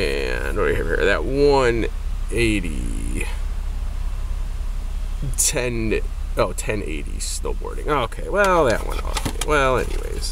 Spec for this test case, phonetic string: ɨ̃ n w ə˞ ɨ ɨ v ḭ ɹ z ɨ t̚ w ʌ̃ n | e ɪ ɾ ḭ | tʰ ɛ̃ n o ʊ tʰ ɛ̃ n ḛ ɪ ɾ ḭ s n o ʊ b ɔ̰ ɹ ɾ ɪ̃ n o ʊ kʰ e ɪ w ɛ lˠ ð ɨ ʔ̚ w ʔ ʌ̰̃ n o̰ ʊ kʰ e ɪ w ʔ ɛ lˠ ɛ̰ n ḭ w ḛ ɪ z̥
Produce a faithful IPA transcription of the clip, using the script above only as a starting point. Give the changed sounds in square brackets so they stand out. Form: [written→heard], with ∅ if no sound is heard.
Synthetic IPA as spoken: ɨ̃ n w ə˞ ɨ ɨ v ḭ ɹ [z→ð] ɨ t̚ w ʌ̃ n | e ɪ ɾ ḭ | tʰ ɛ̃ n o ʊ tʰ ɛ̃ n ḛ ɪ ɾ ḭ s n o ʊ b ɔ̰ ɹ ɾ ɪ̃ [n→ŋ] o ʊ kʰ e ɪ w ɛ lˠ ð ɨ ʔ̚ w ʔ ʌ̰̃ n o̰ ʊ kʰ e ɪ w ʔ ɛ lˠ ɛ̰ n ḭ w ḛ ɪ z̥

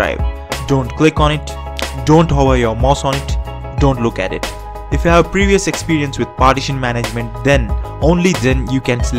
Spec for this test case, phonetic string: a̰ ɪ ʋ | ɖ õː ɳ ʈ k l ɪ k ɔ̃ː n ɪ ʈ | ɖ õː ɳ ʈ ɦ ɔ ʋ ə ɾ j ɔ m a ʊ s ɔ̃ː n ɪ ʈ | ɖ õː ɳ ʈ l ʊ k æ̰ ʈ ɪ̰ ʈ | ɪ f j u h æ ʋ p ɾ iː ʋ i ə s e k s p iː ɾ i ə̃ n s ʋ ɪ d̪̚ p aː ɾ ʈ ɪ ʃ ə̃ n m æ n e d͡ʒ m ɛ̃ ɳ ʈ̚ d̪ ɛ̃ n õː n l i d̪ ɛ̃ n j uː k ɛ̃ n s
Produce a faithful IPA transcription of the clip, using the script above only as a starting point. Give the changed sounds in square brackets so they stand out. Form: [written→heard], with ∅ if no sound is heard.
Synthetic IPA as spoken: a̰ ɪ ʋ | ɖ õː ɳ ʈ k l ɪ k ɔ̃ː n ɪ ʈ | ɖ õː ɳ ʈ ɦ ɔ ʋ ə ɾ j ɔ m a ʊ s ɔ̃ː n ɪ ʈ | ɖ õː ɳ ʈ l ʊ k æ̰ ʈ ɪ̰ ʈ | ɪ f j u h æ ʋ p ɾ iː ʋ i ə s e k s p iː ɾ i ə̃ n s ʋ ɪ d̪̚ p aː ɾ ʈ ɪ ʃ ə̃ n m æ n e d͡ʒ m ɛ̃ ɳ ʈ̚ d̪ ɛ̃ n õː n l i d̪ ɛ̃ n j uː k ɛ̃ n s

